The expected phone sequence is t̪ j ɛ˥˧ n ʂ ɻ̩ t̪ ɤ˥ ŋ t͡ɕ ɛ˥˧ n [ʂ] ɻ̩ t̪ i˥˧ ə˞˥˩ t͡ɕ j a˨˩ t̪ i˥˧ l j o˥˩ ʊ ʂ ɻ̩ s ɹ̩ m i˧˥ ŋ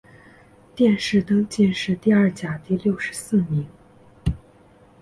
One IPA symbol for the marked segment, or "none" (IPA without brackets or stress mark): ʂ